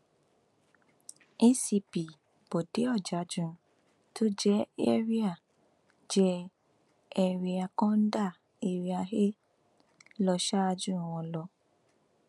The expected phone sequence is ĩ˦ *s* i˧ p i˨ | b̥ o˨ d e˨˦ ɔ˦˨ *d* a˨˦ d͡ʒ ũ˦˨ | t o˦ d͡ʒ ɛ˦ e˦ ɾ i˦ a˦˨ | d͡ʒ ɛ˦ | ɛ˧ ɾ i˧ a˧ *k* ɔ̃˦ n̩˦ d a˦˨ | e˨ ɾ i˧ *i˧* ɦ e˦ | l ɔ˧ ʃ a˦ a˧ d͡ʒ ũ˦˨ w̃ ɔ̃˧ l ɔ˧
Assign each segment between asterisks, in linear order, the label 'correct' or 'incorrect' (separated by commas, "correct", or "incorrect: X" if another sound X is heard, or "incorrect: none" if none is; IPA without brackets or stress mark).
correct, incorrect: d͡ʒ, correct, incorrect: a˧